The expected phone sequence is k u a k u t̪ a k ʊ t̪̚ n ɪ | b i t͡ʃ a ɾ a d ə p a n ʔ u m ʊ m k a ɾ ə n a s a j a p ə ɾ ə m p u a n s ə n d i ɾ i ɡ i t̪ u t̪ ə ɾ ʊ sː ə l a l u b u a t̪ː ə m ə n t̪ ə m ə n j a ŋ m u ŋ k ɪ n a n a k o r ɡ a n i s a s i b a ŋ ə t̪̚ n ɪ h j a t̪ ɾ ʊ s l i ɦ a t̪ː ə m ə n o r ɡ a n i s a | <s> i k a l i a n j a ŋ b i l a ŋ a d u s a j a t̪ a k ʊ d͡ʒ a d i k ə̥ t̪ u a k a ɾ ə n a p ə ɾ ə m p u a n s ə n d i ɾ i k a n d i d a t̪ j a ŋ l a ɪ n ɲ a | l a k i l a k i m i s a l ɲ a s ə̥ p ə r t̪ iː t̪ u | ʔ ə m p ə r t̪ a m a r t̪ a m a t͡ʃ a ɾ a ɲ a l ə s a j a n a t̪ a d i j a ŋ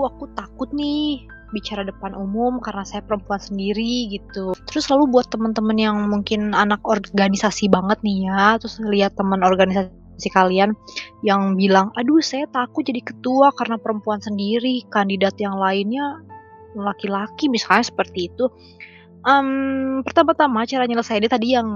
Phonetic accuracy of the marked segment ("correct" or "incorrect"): correct